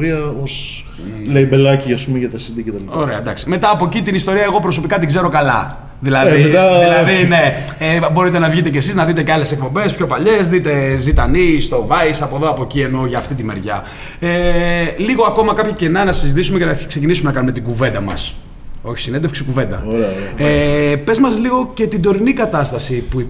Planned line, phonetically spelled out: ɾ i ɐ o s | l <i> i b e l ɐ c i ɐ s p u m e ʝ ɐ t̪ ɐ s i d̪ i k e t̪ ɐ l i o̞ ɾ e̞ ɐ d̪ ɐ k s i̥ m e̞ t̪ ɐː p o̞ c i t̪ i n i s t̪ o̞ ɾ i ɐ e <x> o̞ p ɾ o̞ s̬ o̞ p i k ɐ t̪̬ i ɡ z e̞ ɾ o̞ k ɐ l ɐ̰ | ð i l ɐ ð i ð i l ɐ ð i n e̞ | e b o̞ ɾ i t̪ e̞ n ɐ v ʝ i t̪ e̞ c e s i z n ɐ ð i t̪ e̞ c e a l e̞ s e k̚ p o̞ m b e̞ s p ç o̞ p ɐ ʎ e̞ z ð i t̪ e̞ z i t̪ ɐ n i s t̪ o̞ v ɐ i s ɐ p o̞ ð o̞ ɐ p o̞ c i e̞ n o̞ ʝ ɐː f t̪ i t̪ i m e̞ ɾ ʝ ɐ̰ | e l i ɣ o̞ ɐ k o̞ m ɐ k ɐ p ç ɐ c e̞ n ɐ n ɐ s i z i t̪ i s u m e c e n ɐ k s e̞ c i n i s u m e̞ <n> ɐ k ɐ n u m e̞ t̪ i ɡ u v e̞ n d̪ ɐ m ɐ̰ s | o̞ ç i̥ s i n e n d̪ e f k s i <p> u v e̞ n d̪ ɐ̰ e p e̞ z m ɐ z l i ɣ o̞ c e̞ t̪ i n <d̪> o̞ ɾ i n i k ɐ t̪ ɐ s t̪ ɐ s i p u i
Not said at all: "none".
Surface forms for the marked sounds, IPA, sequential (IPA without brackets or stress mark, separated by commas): e, ɣ, n, k, d̪